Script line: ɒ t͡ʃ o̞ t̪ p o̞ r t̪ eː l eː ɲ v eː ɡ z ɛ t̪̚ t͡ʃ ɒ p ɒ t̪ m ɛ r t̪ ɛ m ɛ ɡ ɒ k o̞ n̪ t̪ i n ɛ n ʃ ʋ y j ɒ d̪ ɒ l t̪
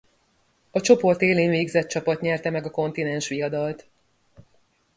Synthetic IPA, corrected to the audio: ɒ t͡ʃ o̞ p o̞ r t̪ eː l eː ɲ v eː ɡ z ɛ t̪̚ t͡ʃ ɒ p ɒ t̪ ɲ ɛ r t̪ ɛ m ɛ ɡ ɒ k o̞ n̪ t̪ i n ɛ n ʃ ʋ i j ɒ d̪ ɒ l t̪